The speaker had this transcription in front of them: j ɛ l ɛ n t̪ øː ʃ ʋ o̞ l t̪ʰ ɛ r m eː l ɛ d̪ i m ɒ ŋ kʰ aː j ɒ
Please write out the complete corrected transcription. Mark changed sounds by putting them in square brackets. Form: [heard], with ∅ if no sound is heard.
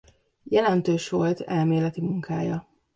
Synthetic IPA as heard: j ɛ l ɛ n t̪ øː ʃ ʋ o̞ l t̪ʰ ɛ [l] m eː l ɛ [t̪] i m [u] ŋ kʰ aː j ɒ